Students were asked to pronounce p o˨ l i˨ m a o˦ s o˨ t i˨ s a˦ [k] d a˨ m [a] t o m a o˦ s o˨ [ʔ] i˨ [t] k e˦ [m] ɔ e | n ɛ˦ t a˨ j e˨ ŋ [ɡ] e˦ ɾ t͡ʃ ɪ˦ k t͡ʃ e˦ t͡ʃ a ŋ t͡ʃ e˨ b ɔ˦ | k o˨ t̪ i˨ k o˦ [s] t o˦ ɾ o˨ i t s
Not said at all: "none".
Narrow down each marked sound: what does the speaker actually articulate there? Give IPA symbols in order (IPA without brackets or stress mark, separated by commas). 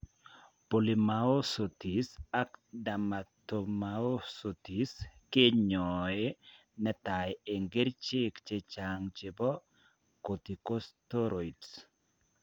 k, a, t, s, ɲ, ɡ, s